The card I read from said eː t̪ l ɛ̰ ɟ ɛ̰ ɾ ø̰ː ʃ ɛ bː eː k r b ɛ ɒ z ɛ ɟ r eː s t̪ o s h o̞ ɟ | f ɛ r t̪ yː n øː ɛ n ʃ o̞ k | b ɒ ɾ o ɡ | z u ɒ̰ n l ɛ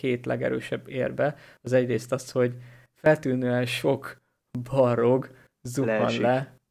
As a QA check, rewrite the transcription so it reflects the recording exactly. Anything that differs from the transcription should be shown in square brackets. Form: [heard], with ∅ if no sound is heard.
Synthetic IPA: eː t̪ l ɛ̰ [ɡ] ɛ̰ ɾ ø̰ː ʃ ɛ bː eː [∅] r b ɛ ɒ z ɛ ɟ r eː s t̪ [ɒ] s h o̞ ɟ | f ɛ [l] t̪ yː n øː ɛ n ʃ o̞ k | b ɒ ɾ o ɡ | z u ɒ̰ n l ɛ